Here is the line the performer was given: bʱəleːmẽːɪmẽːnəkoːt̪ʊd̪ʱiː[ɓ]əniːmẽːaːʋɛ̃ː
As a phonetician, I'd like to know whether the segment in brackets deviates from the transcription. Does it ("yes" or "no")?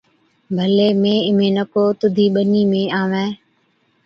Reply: no